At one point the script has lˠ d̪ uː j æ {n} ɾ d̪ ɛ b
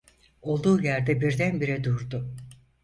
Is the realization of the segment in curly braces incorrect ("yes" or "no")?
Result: yes